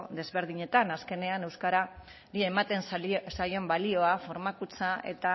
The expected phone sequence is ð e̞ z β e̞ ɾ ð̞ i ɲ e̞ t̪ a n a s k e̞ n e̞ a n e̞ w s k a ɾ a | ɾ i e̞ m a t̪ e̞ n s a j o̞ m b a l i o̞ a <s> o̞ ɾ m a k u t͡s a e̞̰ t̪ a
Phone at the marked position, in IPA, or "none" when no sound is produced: f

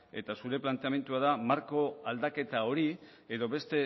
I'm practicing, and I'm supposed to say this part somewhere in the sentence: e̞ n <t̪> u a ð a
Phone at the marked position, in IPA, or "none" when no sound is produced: t̪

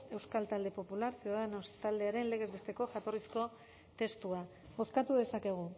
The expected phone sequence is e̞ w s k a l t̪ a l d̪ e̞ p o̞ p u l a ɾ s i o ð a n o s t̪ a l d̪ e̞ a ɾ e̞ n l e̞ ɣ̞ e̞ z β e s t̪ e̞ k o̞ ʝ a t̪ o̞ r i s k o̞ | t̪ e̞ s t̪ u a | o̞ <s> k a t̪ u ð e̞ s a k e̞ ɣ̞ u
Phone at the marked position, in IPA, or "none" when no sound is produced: s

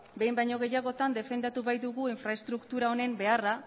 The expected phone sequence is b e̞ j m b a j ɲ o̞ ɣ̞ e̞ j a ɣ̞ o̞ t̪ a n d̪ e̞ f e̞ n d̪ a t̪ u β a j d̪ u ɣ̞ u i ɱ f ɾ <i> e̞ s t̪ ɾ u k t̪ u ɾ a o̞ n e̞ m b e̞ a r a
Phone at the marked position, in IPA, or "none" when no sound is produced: a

